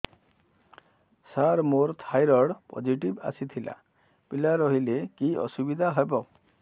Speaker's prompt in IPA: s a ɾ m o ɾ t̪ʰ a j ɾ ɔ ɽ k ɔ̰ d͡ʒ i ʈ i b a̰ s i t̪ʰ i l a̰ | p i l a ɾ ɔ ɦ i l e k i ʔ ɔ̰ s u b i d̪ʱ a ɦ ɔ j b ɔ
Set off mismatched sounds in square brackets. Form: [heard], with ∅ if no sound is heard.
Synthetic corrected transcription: s a ɾ m o ɾ t̪ʰ a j ɾ ɔ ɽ [p] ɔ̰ d͡ʒ i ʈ i b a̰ s i t̪ʰ i l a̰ | p i l a ɾ ɔ ɦ i l e k i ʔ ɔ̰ s u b i d̪ʱ a ɦ ɔ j b ɔ